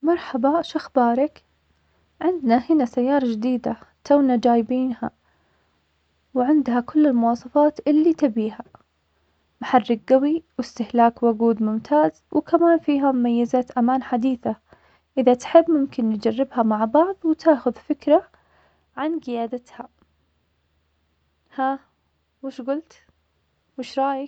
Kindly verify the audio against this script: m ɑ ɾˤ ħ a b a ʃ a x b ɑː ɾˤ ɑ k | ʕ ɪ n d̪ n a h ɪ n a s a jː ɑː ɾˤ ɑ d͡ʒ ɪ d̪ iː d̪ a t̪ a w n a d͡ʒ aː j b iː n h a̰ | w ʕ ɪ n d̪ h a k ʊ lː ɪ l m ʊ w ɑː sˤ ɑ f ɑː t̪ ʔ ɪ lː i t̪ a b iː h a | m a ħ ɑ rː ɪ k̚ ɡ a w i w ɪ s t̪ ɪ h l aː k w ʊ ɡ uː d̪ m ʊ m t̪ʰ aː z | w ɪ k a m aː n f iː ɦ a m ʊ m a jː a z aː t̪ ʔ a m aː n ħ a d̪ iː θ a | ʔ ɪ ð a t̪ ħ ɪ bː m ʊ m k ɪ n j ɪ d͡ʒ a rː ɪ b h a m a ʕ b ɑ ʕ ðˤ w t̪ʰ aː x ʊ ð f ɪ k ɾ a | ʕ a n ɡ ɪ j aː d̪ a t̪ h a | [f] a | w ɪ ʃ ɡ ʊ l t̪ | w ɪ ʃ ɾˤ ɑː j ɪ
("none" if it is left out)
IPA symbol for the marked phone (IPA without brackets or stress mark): h